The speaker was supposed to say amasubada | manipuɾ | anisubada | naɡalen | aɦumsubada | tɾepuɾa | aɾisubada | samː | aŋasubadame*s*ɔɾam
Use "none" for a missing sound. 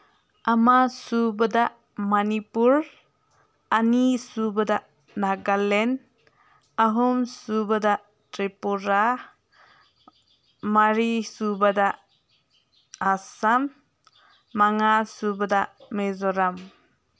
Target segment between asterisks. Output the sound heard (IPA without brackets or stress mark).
z